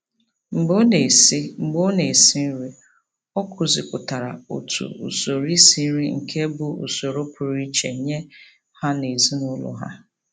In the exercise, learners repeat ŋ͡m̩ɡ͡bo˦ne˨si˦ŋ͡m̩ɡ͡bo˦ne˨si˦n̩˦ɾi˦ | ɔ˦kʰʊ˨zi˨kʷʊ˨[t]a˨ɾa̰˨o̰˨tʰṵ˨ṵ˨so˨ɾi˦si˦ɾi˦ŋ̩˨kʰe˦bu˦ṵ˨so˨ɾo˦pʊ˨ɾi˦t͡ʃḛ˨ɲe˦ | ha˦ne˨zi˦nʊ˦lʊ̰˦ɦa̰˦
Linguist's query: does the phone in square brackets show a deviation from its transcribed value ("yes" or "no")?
no